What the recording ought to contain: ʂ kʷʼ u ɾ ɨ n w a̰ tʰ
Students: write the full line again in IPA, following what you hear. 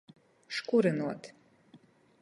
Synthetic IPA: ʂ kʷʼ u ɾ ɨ n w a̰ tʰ